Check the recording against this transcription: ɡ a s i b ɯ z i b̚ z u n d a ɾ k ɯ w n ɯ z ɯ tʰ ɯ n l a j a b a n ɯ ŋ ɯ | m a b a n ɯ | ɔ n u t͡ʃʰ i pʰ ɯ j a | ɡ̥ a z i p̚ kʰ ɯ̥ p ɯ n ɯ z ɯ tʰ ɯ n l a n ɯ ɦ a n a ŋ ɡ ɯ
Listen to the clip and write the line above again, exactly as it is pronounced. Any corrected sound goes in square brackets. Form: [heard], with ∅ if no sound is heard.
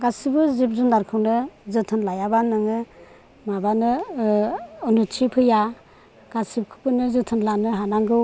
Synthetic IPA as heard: ɡ a s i b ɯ z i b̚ z u n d a ɾ [kʰ] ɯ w n ɯ z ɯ tʰ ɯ n l a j a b a n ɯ ŋ ɯ | m a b a n ɯ | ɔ n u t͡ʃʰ i pʰ ɯ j a | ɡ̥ a [s] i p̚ kʰ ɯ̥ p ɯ n ɯ z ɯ tʰ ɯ n l a n ɯ ɦ a n a ŋ ɡ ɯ

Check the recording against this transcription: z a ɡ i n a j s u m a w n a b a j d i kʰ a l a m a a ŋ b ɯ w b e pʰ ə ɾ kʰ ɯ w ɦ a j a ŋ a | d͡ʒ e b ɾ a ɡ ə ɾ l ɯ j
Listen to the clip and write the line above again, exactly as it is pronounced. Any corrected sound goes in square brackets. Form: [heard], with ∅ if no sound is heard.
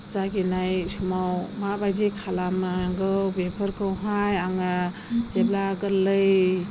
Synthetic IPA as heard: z a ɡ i n a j s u m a w [m] a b a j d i kʰ a l a m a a ŋ [ɡ] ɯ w b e pʰ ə ɾ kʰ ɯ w ɦ a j a ŋ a | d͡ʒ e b [l] a ɡ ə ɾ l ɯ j

